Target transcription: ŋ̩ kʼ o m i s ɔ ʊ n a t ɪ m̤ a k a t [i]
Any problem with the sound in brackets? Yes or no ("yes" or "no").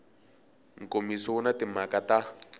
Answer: yes